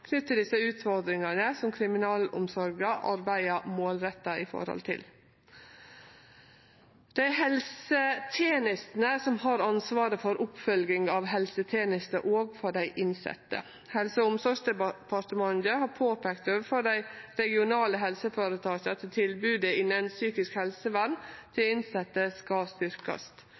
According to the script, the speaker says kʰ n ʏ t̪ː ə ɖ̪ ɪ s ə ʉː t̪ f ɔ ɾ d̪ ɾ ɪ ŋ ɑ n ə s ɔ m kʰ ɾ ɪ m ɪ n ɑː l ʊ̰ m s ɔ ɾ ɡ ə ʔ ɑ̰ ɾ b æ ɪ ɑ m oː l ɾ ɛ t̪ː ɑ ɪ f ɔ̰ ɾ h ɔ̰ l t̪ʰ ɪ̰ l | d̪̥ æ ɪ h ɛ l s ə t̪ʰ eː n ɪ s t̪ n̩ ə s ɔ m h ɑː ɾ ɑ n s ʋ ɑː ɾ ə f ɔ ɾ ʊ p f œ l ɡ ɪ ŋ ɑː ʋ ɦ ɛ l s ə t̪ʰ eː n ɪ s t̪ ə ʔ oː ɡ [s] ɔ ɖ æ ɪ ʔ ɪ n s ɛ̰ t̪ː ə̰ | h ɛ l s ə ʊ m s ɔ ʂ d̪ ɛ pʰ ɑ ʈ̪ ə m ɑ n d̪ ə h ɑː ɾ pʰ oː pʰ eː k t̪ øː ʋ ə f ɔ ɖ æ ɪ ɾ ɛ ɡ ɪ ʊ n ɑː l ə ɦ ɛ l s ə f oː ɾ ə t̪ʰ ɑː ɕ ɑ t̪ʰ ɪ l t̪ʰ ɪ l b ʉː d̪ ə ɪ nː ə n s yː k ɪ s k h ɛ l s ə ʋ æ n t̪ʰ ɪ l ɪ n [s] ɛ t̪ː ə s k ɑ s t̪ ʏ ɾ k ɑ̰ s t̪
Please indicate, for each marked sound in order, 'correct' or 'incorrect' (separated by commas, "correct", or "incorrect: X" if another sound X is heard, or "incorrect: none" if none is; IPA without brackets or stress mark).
incorrect: f, correct